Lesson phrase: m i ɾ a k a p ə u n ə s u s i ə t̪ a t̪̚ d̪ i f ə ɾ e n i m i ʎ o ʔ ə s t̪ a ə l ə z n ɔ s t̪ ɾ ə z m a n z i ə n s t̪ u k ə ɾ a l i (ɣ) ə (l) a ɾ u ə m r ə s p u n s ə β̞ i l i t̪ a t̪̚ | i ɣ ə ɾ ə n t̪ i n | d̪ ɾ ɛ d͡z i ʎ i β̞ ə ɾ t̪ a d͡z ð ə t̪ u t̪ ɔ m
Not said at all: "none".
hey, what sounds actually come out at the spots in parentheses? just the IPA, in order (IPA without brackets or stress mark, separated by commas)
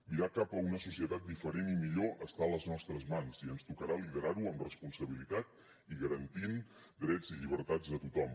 ð, ɾ